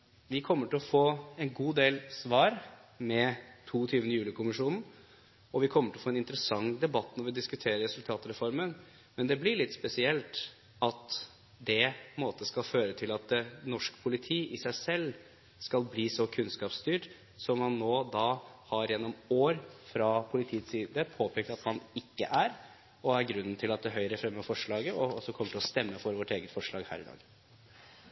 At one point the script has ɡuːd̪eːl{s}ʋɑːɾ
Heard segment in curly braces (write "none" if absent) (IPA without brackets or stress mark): s